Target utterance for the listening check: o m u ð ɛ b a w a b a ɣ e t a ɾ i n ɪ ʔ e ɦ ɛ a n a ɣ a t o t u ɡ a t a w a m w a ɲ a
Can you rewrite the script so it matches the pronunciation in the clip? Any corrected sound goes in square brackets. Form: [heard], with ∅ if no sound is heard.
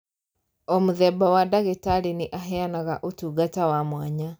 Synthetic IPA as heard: o m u ð ɛ b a w a [d] a ɣ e t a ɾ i n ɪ ʔ [a] ɦ ɛ a n a ɣ a [ʔ] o t u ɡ a t a w a m w a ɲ a

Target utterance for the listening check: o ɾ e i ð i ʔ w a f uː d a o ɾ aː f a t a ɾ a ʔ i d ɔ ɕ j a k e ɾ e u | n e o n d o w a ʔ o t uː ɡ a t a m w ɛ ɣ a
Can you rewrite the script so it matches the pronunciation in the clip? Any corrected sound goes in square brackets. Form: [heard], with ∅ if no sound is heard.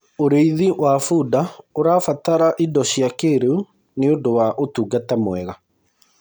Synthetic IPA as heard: o ɾ e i ð i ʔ w a f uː d a o ɾ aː f a t a ɾ a ʔ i d ɔ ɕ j a k e ɾ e u | n e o n d o w a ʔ o t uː ɡ a t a m w ɛ ɣ a

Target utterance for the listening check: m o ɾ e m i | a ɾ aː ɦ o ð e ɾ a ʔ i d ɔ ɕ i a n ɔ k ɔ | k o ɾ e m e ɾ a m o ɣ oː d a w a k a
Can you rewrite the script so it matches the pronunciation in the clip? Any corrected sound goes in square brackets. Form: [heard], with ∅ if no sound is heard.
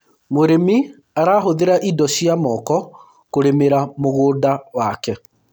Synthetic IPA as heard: m o ɾ e m i | a ɾ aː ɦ o ð e ɾ a ʔ i d ɔ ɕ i a [m] ɔ k ɔ | k o ɾ e m e ɾ a m o ɣ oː d a w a k [ɛ]

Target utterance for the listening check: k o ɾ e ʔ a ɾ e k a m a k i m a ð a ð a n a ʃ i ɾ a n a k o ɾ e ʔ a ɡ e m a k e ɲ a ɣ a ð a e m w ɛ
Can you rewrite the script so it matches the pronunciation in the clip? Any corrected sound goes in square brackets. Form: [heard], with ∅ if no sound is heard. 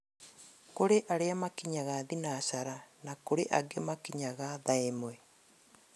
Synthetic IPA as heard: k o ɾ e ʔ a ɾ e [∅] a m a k i [ɲ] a [ɣ] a ð [i] n a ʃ [a] ɾ a n a k o ɾ e ʔ a ɡ e m a k [i] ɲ a ɣ a ð a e m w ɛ

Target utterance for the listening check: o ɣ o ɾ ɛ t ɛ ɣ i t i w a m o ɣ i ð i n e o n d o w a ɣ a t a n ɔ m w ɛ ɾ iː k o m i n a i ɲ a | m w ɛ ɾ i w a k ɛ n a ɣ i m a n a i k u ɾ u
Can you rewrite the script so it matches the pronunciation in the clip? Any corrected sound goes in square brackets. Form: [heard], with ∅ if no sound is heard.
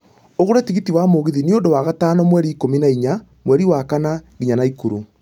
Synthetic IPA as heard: o ɣ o ɾ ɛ t [i] ɣ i t i w a m o ɣ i ð i n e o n d o w a ɣ a t a n ɔ m w ɛ ɾ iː k o m i n a i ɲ a | m w ɛ ɾ i w a k [a] n a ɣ i [ɲ] a n a i k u ɾ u

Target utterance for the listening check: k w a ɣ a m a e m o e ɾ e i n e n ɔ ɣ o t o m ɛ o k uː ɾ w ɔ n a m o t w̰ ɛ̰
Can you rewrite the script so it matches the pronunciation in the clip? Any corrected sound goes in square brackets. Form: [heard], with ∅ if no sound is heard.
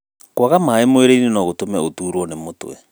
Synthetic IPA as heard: k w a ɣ a m a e m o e ɾ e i n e n ɔ ɣ o t o m ɛ o [t] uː ɾ w ɔ n [e] m o t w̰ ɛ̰

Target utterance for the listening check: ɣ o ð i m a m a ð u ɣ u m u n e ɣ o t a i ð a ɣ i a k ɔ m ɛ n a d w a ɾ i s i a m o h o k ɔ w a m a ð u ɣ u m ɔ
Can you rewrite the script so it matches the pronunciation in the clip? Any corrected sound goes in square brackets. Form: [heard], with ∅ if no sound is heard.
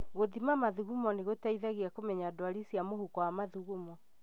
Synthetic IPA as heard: ɣ o ð i m a m a ð u ɣ u m [ɔ] n e ɣ o t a i ð a ɣ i a k [o] m ɛ [ɲ] a d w a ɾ i s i a m o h [u] k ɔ w a m a ð u ɣ u m ɔ

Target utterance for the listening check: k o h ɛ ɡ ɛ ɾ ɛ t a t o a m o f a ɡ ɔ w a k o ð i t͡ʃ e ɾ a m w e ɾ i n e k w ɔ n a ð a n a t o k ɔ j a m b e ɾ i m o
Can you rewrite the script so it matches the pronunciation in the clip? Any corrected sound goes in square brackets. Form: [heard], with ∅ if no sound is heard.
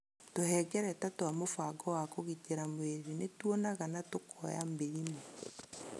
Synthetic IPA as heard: [t] o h ɛ ɡ ɛ ɾ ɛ t a t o a m o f a ɡ ɔ w a k o [ɣ] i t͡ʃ e ɾ a m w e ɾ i n e [t] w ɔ n a [ɣ] a n a t o k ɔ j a m b e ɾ i m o

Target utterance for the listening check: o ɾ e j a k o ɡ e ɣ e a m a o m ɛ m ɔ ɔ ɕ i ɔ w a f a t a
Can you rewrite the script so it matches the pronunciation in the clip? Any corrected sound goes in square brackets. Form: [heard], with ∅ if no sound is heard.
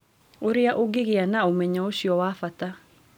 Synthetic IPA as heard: o ɾ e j a [ʔ] o ɡ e ɣ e a [n] a o m ɛ [ɲ] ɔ [o] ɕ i ɔ w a f a t a

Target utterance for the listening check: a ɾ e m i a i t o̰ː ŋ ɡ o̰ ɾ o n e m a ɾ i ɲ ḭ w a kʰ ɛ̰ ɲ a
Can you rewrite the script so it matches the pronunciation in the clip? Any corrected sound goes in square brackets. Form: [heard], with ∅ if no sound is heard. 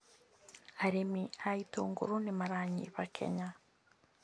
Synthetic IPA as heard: a ɾ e m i a i t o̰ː ŋ ɡ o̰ ɾ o n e m a ɾ [a] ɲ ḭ [β] a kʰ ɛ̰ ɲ a

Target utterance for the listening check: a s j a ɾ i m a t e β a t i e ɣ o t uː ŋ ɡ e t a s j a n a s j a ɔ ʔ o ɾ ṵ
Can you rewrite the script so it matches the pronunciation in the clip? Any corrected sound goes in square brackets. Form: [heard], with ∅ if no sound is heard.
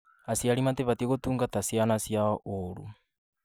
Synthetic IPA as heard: a s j a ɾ i m a t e β a t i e ɣ o t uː ŋ ɡ [a] t a s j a n a s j a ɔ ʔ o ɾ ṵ

